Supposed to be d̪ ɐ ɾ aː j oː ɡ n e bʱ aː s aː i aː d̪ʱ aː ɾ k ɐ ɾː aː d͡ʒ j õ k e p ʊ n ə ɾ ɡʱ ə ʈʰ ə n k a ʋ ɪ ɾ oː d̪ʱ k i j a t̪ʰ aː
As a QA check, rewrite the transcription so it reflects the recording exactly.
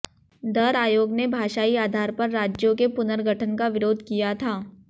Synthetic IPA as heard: d̪ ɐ ɾ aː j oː ɡ n e bʱ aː ʃ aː i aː d̪ʱ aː ɾ p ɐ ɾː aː d͡ʒ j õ k e p ʊ n ə ɾ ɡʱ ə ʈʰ ə n k a ʋ ɪ ɾ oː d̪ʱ k i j a t̪ʰ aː